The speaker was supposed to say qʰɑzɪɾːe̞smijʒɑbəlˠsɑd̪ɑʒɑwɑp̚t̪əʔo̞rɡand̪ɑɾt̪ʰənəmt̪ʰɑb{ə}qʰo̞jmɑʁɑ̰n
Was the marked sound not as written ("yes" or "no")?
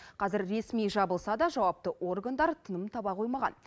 yes